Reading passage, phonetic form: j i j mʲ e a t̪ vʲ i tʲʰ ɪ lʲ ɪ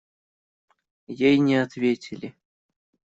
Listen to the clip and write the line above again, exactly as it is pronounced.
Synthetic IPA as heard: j e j nʲ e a t̪ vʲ e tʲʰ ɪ lʲ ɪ